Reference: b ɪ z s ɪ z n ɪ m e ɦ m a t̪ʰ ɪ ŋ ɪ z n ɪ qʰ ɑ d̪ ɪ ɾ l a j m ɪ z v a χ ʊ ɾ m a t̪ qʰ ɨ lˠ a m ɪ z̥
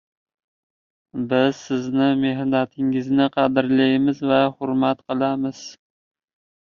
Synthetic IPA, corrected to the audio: b ɪ z s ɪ z n ɪ m e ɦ n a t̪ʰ ɪ ŋ ɪ z n ɪ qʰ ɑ d̪ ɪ ɾ l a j m ɪ z v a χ ʊ ɾ m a t̪ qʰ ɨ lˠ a m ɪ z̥